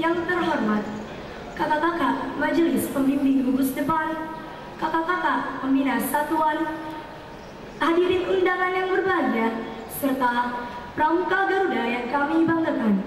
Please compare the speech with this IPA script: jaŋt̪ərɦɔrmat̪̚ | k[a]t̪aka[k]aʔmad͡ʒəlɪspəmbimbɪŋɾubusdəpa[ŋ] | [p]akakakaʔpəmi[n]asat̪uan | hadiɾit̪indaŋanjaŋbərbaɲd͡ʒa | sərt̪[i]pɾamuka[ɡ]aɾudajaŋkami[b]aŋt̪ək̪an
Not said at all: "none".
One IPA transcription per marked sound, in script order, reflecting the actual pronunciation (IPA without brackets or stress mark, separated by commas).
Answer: a, k, n, k, n, a, ɡ, b